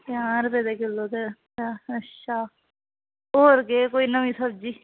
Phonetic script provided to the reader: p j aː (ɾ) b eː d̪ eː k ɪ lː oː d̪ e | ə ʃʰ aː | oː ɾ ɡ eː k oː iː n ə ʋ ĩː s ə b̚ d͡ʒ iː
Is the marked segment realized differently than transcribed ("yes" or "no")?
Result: no